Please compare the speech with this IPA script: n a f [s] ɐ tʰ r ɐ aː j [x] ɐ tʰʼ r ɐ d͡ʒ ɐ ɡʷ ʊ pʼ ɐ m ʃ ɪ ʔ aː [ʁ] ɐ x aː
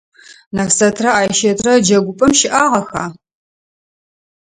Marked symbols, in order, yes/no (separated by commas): yes, no, yes